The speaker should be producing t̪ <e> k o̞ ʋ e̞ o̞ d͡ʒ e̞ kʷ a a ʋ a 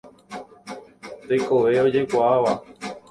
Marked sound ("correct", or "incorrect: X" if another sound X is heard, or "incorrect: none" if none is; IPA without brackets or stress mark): correct